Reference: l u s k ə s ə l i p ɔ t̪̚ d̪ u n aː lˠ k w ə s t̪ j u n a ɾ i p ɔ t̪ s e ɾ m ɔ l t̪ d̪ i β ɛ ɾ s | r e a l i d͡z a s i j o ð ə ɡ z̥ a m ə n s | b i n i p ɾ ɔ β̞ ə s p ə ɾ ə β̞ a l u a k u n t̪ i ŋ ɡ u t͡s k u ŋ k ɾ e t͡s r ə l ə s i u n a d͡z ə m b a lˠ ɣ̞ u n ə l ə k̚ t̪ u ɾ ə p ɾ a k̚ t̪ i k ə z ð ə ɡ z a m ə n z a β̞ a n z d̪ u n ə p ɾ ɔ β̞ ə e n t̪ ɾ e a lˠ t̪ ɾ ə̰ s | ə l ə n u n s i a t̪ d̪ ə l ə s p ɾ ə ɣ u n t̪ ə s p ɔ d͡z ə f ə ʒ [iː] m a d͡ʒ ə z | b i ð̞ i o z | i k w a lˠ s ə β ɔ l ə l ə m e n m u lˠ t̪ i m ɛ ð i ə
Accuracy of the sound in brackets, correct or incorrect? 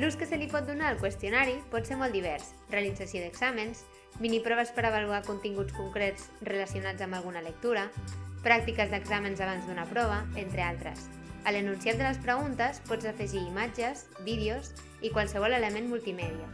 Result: correct